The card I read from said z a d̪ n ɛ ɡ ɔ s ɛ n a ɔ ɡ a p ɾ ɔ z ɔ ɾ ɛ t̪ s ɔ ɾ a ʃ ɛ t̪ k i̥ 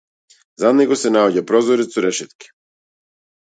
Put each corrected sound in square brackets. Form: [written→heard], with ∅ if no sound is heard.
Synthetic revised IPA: z a d̪ n ɛ ɡ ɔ s ɛ n a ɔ [ɡ→ɟ] a p ɾ ɔ z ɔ ɾ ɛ t̪ s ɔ ɾ [a→ɛ] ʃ ɛ t̪ k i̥